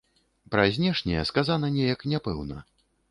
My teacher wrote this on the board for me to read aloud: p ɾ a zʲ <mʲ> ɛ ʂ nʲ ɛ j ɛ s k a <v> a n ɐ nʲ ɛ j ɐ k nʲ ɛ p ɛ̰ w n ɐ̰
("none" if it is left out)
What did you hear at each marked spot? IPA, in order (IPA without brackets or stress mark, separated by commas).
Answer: nʲ, z